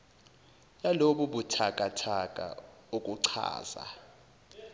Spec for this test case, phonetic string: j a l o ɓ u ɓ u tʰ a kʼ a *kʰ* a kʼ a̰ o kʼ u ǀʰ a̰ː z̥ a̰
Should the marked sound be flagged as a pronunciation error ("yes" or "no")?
yes